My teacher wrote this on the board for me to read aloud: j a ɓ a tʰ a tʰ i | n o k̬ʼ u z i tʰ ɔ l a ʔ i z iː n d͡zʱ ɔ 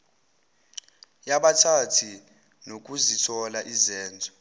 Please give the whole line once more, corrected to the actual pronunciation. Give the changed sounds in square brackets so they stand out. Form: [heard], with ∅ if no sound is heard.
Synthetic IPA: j a ɓ a tʰ a tʰ i | n o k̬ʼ u z i tʰ ɔ l a ʔ i z [ɛː] n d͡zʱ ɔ